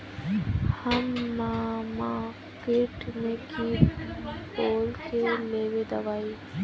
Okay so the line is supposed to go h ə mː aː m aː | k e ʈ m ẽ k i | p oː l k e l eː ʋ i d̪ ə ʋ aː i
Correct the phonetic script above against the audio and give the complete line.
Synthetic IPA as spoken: h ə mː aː m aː | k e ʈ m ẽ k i | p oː l k e l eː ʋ e d̪ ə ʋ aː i